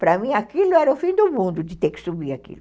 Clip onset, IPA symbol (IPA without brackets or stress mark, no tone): p